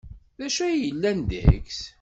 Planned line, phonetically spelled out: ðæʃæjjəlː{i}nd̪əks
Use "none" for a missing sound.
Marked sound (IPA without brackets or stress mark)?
æ